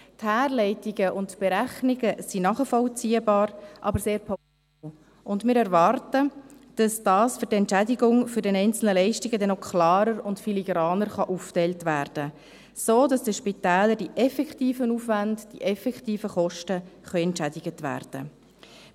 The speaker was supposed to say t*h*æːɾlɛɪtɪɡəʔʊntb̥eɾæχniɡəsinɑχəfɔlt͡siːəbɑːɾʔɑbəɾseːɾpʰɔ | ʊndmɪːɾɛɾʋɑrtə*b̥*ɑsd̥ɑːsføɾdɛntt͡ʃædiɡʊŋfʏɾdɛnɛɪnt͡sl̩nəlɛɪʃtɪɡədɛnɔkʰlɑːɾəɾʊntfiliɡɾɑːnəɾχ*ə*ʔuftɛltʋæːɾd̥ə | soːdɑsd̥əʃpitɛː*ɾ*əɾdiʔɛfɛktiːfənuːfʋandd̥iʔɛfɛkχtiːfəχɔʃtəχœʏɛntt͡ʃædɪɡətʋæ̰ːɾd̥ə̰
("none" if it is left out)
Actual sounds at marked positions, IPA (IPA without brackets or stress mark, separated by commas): h, d̥, ɑ, l